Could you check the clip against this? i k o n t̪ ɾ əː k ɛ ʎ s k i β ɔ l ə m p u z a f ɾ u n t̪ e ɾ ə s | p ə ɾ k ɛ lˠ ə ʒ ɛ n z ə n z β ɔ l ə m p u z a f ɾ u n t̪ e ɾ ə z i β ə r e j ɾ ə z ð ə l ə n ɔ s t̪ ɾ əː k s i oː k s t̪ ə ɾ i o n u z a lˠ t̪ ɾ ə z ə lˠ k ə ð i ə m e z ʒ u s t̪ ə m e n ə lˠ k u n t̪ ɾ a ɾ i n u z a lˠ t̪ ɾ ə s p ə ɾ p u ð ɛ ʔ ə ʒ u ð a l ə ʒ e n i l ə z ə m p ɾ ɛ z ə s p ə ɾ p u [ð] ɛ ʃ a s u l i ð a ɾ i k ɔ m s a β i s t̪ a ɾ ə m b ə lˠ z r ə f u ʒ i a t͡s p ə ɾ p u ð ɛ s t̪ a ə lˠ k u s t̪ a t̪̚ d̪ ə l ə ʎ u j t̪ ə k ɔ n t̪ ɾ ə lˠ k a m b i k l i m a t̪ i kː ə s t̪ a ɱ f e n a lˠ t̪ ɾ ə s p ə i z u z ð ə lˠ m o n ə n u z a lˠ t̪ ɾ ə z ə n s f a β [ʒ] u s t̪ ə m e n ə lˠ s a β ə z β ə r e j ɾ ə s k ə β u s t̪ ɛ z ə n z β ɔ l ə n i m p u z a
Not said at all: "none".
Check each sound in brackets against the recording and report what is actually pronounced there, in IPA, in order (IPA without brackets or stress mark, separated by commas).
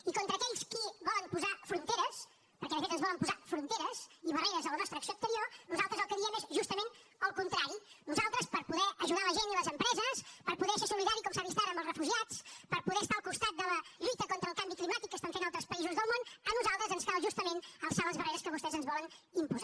ð, ʒ